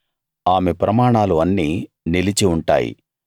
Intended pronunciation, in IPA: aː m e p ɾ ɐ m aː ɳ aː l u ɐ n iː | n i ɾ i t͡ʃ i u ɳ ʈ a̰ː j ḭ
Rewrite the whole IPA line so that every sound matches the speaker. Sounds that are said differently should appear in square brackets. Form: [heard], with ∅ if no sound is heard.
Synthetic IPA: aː m e p ɾ ɐ m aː ɳ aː l u ɐ [nː] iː | n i [l] i t͡ʃ i u ɳ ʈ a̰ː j ḭ